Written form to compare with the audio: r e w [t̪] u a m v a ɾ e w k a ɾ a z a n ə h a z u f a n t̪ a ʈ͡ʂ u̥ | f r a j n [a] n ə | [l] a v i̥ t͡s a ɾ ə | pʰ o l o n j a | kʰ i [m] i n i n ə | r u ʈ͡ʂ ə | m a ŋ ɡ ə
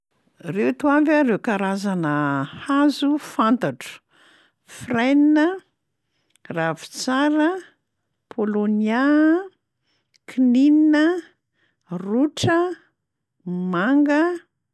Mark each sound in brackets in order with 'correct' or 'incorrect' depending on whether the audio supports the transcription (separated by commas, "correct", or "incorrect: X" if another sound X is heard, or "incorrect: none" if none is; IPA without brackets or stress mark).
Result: correct, incorrect: i, incorrect: r, incorrect: n